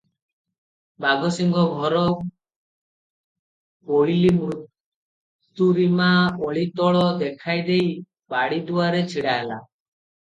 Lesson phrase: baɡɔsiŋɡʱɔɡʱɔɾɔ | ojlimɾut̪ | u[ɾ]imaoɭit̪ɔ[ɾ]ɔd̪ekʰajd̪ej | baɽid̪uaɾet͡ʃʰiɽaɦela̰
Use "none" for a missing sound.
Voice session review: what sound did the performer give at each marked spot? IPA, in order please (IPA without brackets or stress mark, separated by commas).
ɾ, ɭ